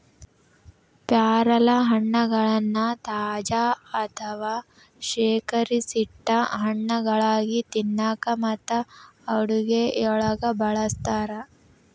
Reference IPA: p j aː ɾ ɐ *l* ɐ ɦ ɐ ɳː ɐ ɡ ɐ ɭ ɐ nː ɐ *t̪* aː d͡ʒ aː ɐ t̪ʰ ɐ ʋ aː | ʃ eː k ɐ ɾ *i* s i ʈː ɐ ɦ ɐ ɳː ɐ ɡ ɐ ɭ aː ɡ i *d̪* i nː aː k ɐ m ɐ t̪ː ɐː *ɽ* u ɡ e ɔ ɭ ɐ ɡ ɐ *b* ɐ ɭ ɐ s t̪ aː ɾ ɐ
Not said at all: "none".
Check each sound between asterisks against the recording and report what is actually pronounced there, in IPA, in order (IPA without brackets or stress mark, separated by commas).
l, t̪, i, t̪, ɽ, b